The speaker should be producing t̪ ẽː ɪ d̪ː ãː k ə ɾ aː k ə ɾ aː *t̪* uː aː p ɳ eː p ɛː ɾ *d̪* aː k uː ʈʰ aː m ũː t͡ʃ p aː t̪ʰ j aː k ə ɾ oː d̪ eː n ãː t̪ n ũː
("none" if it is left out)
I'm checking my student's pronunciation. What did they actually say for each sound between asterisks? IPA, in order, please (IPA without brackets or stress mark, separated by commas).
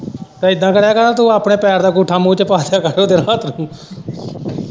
t̪, d̪